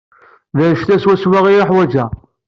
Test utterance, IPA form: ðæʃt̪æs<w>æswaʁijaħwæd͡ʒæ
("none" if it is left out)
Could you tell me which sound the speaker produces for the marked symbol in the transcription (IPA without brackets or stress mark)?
w